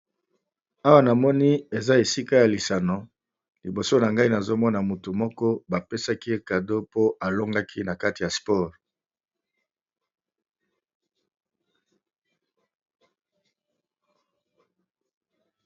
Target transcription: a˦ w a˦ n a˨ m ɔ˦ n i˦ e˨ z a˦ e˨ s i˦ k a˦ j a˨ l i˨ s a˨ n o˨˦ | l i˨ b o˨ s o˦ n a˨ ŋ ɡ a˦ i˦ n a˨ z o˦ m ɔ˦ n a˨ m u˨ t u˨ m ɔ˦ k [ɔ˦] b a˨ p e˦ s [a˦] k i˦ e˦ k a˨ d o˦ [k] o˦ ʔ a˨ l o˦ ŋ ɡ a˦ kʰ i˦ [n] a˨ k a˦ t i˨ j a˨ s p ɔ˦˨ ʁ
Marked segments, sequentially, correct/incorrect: correct, correct, incorrect: p, correct

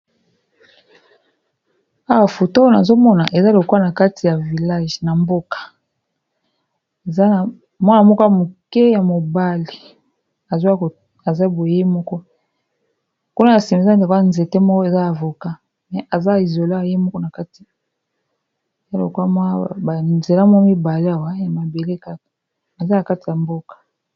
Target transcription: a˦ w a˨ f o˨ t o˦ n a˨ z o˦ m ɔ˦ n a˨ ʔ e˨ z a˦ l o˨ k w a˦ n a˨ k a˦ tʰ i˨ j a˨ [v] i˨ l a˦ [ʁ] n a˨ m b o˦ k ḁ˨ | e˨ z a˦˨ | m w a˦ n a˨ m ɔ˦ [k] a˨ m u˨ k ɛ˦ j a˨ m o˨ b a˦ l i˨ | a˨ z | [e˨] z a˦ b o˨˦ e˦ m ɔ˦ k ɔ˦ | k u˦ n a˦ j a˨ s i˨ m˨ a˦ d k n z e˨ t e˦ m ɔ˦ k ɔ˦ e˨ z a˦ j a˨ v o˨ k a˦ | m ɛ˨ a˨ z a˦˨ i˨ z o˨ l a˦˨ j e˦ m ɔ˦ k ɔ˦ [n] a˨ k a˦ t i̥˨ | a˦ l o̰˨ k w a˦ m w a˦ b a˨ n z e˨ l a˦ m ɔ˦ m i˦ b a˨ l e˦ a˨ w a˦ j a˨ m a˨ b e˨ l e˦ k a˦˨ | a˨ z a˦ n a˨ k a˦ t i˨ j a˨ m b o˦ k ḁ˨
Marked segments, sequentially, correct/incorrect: correct, incorrect: ʒ, correct, incorrect: a˨, correct

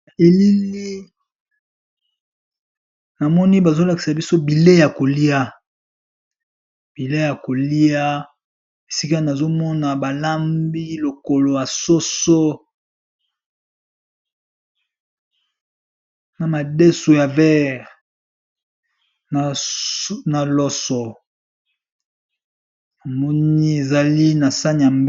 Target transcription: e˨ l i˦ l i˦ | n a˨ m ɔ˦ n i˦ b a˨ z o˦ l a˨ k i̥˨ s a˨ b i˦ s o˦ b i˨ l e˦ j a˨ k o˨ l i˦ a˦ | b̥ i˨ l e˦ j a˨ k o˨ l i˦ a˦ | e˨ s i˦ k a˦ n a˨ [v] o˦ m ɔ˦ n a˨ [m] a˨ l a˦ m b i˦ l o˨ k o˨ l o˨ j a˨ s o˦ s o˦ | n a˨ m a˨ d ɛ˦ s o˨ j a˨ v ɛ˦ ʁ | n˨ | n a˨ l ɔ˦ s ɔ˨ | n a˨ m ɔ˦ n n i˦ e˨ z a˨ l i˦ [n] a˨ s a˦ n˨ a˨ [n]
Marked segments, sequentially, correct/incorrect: incorrect: z, incorrect: b, correct, incorrect: m

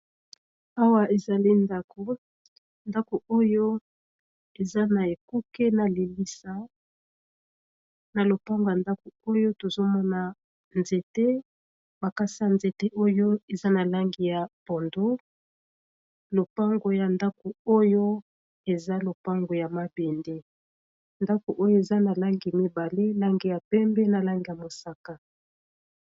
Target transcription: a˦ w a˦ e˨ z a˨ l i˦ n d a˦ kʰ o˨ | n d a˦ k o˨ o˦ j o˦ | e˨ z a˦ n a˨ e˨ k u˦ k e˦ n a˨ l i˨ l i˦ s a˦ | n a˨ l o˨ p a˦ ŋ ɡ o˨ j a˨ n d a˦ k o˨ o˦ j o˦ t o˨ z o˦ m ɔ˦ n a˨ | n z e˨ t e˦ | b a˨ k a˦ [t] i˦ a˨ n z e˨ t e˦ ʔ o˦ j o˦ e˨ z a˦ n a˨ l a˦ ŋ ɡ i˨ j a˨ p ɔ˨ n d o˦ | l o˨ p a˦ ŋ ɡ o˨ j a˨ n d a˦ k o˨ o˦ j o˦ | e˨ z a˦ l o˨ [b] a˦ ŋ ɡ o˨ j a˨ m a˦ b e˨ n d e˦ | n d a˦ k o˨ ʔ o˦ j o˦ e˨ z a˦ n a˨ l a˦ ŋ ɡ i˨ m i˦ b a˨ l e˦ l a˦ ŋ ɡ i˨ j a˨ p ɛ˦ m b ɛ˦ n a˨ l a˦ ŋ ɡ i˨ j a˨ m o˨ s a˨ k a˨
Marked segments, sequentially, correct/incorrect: incorrect: s, incorrect: p

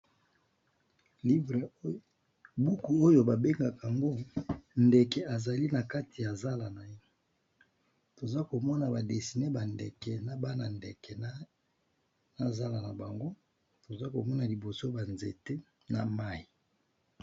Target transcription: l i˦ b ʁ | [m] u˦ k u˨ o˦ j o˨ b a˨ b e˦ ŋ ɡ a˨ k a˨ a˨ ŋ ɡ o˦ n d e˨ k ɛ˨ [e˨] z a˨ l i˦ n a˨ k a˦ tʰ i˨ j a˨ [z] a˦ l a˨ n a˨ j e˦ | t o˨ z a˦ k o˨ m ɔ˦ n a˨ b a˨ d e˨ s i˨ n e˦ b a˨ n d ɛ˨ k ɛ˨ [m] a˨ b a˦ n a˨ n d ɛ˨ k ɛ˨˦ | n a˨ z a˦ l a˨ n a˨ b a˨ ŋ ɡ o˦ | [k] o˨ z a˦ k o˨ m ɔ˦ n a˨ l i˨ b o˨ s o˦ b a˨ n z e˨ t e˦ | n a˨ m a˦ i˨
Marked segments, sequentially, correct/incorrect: incorrect: b, incorrect: a˨, correct, incorrect: n, incorrect: t

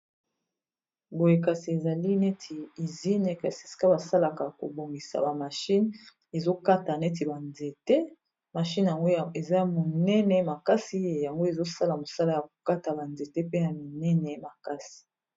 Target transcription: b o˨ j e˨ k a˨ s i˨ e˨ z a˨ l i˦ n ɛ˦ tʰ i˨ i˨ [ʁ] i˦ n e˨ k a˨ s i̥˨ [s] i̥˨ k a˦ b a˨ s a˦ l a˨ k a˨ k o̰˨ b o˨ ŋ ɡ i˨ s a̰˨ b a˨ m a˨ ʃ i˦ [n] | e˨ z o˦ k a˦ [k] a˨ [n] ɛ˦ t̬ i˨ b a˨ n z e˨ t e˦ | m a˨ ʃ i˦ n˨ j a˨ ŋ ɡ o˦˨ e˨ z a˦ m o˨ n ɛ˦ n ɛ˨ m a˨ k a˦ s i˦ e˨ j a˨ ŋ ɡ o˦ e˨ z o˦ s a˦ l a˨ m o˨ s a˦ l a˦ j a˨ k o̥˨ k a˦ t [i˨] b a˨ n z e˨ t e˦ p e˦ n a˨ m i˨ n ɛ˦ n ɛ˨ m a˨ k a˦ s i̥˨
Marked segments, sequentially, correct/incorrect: incorrect: z, correct, correct, incorrect: t, correct, incorrect: a˨

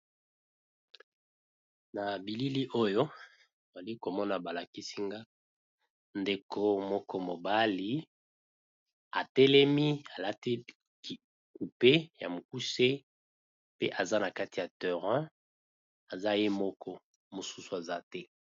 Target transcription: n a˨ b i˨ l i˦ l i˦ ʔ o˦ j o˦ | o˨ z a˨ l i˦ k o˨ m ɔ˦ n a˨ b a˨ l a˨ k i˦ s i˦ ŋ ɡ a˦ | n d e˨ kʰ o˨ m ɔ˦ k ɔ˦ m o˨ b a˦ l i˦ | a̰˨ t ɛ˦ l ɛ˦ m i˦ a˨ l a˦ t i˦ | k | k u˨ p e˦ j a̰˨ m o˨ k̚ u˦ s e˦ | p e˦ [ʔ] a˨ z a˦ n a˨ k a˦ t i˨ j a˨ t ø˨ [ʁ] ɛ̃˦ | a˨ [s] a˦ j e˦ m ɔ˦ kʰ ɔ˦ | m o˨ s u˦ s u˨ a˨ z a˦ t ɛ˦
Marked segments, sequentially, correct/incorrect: correct, correct, incorrect: z

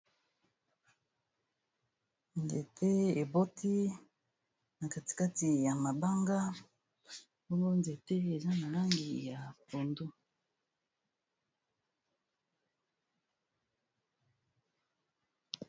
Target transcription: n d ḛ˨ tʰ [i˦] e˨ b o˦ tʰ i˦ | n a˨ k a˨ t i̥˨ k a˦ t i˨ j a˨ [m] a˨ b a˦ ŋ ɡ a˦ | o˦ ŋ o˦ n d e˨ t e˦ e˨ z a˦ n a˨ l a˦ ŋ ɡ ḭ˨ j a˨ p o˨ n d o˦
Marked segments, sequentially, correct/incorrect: incorrect: e˦, correct

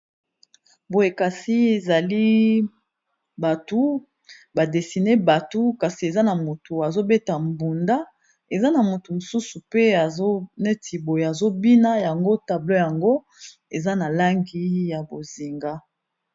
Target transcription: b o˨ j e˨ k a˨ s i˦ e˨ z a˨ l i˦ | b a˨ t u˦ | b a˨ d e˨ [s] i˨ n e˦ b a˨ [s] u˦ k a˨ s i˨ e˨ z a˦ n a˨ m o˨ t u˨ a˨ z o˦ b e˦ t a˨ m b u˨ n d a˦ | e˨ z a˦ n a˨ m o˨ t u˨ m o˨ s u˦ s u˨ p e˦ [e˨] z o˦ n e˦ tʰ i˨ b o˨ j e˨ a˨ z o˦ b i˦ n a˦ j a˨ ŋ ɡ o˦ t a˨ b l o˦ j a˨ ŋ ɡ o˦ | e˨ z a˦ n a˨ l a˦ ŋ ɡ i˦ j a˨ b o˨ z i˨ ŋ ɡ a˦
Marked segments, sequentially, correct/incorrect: correct, incorrect: t, incorrect: a˨

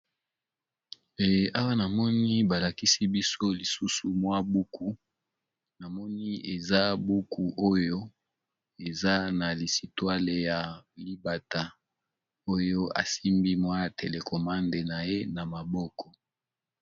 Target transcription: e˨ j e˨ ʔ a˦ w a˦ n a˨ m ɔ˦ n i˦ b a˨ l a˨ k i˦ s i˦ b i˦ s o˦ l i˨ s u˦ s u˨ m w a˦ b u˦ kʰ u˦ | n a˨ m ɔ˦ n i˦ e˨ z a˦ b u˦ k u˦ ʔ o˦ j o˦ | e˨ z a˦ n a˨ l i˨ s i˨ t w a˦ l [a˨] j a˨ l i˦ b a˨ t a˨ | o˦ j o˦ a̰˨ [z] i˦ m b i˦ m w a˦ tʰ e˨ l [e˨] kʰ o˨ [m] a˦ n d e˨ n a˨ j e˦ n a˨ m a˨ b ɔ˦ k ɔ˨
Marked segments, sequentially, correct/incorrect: incorrect: e˨, incorrect: s, correct, correct

